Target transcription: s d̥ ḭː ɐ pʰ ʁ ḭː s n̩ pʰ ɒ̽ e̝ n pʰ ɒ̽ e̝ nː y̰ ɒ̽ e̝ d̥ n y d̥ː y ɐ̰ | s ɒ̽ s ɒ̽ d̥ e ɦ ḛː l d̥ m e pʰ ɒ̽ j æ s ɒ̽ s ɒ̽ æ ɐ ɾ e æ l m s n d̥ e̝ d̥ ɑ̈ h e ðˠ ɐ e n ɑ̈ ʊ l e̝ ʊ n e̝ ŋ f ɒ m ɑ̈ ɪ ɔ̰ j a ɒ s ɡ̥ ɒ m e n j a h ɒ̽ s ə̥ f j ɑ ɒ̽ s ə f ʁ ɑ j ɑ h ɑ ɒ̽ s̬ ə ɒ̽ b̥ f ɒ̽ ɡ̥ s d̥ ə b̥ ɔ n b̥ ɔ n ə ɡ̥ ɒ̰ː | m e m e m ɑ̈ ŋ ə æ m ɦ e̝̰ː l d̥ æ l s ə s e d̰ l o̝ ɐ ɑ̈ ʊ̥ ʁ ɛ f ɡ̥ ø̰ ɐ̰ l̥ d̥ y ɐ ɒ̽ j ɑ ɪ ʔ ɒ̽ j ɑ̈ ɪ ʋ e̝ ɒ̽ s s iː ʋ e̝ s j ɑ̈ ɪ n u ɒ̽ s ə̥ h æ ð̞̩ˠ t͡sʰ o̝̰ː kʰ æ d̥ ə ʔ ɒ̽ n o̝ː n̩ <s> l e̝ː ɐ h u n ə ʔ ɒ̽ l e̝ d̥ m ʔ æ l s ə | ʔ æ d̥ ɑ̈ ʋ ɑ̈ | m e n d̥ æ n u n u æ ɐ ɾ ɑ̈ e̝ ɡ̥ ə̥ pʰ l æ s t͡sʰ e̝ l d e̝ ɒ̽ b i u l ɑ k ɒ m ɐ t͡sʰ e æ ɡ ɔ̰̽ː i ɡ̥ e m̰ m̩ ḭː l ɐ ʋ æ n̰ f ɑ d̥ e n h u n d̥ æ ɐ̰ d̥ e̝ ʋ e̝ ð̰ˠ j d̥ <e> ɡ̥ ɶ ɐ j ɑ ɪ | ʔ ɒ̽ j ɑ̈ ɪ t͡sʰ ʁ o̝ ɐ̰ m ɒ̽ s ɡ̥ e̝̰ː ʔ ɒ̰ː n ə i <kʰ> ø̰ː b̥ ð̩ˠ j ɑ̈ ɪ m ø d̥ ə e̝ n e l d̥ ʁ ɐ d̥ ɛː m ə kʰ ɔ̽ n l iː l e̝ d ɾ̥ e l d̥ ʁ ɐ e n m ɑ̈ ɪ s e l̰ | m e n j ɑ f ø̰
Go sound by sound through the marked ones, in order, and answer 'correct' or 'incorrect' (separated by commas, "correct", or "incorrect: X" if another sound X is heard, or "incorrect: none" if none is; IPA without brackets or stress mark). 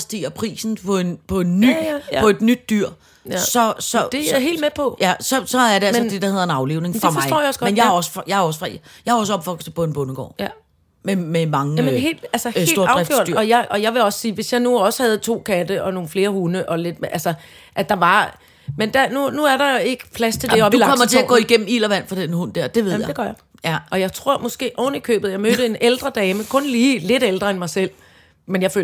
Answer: incorrect: f, correct, correct